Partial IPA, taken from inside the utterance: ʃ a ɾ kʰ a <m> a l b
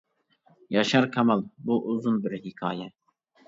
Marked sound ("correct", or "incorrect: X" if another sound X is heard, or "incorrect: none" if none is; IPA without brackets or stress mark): correct